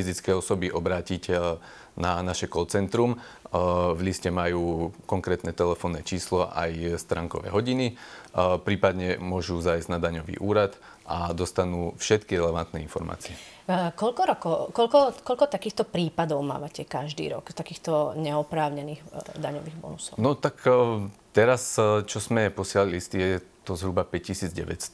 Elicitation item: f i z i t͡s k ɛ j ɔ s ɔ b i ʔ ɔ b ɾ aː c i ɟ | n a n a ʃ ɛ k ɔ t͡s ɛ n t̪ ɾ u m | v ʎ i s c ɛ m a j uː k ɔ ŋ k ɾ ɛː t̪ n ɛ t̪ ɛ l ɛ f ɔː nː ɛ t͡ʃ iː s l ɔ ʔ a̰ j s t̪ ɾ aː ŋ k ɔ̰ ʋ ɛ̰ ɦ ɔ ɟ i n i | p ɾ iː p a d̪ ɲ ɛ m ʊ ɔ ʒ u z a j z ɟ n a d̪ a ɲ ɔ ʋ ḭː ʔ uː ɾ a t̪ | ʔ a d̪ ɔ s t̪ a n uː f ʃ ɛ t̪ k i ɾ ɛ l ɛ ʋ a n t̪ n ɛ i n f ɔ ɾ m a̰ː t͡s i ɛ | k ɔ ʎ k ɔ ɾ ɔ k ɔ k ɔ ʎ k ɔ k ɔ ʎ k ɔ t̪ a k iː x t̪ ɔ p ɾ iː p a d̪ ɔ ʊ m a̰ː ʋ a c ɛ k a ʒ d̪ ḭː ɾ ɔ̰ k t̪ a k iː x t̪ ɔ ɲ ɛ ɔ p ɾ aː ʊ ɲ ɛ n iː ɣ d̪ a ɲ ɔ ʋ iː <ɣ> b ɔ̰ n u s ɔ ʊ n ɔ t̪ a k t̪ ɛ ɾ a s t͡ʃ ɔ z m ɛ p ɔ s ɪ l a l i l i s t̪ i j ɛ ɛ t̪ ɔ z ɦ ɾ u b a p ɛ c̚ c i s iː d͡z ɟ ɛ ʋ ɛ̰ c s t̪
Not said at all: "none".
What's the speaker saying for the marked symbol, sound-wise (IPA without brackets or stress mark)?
ɣ